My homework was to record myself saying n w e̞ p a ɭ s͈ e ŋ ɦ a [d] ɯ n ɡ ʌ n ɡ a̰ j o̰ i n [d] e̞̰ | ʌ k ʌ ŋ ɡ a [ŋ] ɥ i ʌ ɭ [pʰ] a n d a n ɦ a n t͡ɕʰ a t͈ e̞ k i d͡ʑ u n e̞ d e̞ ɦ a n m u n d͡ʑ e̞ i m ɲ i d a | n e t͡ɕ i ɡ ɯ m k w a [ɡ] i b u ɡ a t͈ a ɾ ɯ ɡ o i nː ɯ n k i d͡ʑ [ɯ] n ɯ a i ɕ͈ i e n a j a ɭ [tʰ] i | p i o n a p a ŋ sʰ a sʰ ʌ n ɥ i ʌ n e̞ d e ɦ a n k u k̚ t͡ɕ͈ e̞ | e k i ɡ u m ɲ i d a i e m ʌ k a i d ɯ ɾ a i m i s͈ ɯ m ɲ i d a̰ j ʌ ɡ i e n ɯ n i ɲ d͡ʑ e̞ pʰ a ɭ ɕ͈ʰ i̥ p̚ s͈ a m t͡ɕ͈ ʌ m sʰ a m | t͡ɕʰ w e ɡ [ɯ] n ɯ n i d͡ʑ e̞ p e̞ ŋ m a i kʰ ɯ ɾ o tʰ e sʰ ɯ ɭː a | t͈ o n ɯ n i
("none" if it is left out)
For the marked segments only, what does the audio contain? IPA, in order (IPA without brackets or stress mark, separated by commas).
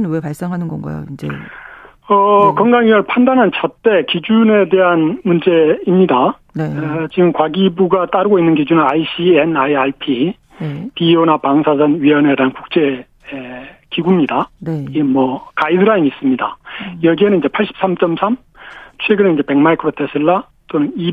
n, d͡ʑ, ŋ, pʰ, ɡ, u, pʰ, ɯ